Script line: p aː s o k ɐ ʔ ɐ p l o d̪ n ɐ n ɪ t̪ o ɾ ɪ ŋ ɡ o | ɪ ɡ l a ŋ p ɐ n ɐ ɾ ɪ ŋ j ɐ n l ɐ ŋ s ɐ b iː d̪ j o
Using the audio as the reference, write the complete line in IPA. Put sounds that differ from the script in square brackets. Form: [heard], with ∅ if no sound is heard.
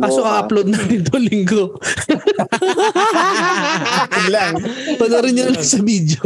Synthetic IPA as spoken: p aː s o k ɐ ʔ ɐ p l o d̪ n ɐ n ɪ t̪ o [l] ɪ ŋ ɡ o | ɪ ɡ l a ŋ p ɐ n ɐ ɾ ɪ [n] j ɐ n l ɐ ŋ s ɐ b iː d̪ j o